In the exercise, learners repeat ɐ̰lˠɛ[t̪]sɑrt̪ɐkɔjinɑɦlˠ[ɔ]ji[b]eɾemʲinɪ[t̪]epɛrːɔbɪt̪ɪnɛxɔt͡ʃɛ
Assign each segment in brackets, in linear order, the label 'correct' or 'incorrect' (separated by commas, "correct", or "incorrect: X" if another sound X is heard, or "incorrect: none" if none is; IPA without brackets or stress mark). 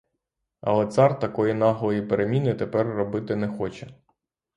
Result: correct, correct, incorrect: p, correct